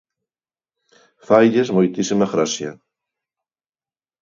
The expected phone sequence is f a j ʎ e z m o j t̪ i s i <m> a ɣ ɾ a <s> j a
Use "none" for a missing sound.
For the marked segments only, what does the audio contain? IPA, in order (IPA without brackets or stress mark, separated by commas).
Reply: m, s